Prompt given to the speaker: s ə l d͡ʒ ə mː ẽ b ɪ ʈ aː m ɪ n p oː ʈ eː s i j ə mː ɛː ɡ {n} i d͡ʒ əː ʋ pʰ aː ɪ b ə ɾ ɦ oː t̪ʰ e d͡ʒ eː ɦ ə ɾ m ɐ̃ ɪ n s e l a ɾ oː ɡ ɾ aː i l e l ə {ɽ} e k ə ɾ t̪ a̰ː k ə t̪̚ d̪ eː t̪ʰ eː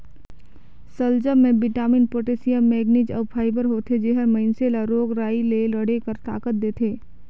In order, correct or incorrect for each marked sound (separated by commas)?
correct, correct